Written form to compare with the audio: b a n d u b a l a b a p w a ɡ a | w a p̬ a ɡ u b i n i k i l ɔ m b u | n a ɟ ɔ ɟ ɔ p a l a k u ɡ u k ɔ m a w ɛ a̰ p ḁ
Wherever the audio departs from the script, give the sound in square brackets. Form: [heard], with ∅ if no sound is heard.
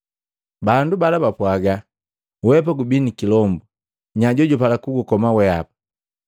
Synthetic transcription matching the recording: b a n d u b a l a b a p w a ɡ a | w [ɛ] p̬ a ɡ u b i n i k i l ɔ m b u | [ɲ] a ɟ ɔ ɟ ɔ p a l a k u ɡ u k ɔ m a w ɛ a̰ p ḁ